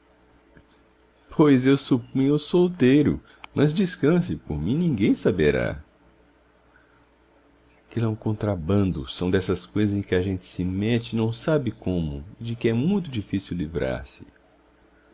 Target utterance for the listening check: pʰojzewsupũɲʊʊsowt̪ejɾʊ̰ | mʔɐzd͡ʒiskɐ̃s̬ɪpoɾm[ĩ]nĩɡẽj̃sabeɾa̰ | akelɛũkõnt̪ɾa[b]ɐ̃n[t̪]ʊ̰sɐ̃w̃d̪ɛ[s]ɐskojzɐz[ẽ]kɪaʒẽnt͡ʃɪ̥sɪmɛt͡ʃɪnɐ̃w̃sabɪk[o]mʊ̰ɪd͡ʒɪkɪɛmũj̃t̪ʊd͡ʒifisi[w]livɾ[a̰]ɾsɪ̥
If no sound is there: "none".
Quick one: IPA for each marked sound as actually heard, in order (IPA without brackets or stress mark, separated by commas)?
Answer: ĩ, b, d̪, s, ẽ, õ, w, a̰